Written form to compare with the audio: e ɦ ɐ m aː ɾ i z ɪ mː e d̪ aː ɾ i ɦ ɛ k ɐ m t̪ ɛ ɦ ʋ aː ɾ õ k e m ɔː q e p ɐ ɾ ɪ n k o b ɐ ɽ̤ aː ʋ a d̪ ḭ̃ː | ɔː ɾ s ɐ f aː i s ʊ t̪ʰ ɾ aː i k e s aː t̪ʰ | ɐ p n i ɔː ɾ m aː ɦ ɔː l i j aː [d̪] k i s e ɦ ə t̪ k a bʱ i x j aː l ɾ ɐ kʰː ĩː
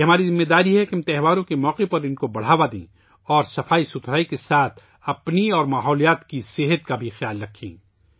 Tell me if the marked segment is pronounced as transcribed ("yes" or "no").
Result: no